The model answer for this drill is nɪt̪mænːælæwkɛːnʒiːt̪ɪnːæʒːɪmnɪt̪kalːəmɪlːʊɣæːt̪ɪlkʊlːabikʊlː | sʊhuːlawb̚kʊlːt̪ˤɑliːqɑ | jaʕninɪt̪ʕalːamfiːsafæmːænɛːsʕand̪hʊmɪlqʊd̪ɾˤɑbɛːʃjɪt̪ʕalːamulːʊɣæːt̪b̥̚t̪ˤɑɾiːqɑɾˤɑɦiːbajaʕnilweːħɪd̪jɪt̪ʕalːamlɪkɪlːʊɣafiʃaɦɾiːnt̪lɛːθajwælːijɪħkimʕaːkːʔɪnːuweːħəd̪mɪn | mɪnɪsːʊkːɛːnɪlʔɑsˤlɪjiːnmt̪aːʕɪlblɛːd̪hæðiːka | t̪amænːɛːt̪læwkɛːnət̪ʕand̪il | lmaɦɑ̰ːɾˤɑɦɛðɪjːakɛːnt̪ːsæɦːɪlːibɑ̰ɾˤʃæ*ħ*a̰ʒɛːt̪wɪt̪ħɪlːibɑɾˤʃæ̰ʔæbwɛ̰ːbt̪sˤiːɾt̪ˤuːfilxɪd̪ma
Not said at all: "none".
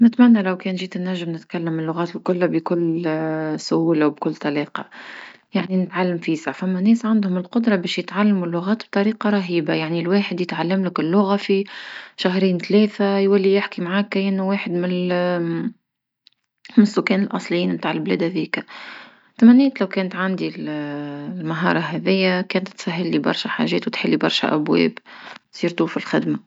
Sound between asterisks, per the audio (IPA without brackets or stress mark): ħ